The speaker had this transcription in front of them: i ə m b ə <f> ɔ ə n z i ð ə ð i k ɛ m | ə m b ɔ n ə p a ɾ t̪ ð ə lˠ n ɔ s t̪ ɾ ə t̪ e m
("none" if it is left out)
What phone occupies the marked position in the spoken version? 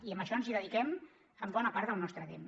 ʃ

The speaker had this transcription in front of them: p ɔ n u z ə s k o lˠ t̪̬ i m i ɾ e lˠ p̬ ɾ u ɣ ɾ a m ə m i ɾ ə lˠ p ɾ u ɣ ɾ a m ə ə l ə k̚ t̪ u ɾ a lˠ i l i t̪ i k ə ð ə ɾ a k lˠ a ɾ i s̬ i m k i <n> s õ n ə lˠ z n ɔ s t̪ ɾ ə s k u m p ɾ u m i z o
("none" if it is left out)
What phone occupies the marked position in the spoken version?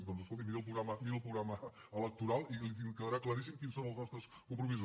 n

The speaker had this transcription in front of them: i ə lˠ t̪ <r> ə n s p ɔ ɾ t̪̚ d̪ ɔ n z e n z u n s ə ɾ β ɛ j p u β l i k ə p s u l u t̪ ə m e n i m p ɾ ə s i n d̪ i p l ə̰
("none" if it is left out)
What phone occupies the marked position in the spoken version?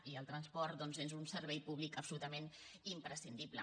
ɾ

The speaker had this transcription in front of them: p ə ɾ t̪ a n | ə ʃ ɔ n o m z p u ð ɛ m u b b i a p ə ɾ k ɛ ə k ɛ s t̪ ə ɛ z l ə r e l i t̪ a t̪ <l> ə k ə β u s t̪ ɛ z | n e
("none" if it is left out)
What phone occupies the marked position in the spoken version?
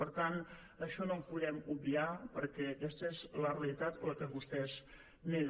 l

